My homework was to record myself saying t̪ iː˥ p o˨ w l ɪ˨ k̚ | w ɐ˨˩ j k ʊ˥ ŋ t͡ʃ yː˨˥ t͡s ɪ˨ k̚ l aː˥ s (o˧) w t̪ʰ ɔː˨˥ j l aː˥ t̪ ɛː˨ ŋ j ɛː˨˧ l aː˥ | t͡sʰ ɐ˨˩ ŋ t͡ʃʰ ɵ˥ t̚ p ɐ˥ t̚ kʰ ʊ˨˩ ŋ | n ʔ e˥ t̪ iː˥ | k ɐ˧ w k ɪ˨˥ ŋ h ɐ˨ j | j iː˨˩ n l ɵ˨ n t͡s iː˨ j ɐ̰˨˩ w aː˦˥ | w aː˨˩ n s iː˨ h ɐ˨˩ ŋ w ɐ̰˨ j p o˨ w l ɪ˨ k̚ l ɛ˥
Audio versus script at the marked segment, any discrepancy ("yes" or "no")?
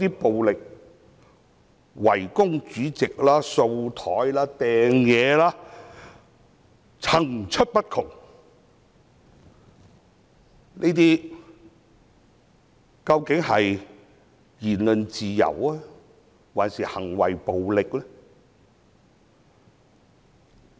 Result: no